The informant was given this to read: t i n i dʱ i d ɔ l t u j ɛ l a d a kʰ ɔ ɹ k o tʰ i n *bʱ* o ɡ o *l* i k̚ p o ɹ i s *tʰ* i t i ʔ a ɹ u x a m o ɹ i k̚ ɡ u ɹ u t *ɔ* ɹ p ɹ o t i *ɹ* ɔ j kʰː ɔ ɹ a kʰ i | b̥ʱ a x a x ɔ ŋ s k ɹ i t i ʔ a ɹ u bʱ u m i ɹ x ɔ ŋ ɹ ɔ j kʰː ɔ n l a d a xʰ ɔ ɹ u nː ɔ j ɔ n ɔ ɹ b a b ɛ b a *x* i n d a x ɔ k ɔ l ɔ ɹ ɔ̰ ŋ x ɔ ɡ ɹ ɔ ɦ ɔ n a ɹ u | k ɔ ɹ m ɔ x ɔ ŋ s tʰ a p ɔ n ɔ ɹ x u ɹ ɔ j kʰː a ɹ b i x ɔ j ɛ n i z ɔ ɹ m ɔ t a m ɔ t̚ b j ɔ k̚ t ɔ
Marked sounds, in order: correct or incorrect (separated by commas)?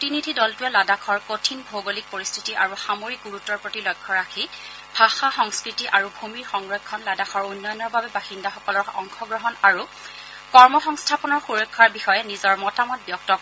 correct, correct, correct, correct, incorrect, correct